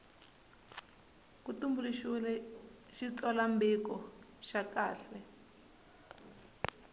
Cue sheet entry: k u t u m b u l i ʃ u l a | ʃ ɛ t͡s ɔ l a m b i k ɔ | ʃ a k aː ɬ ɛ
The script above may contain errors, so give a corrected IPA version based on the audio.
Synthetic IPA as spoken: k u t u m b u l i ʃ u l ɛ | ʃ i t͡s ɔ l a m b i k ɔ | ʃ a k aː ɬ ɛ

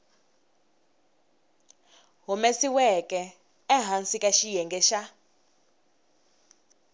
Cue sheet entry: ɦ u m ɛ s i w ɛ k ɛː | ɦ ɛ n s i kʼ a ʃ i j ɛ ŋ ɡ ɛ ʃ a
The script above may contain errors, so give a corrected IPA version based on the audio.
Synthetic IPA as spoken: ɦ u m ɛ s i w ɛ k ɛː | ɦ a n s i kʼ a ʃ i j ɛ ŋ ɡ ɛ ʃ a

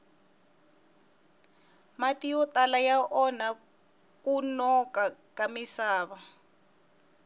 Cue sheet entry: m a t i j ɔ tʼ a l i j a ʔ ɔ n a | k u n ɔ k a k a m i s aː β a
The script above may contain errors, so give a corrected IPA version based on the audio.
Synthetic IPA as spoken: m a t i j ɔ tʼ a l a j a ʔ ɔ n a | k u n ɔ k a k a m i s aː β a

